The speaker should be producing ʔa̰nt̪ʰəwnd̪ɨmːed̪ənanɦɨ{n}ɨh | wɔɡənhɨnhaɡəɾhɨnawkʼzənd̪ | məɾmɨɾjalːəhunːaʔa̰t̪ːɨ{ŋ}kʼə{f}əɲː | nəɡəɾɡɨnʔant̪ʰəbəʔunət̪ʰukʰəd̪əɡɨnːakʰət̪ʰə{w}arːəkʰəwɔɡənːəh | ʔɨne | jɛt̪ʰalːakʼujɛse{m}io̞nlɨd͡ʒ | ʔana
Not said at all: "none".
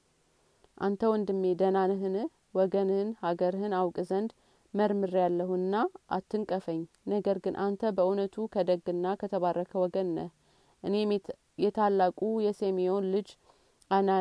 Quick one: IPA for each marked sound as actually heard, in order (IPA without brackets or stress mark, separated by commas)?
n, ŋ, f, β, m